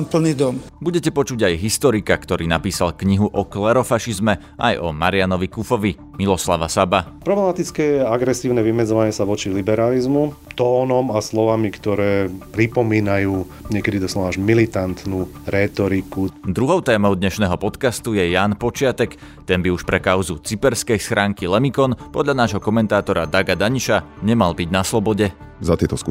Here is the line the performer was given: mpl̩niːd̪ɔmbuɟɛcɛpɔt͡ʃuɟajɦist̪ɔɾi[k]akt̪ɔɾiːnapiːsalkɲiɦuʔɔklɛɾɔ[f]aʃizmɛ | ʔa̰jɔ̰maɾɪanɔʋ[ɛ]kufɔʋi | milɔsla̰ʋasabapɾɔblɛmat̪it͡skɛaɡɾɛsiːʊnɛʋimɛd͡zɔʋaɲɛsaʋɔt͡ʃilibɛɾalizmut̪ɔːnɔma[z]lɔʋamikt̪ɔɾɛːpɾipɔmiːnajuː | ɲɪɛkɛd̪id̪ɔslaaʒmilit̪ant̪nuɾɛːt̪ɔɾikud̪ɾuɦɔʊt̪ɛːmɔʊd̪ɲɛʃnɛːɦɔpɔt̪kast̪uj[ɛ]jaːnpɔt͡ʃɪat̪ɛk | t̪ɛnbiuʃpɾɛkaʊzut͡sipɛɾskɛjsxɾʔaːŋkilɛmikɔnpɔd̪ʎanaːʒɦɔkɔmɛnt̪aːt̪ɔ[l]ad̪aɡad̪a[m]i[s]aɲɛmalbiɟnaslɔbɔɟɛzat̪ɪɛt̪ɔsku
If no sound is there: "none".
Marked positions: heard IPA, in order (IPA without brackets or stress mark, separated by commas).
k, f, i, s, ɛ, ɾ, ɲ, ʃ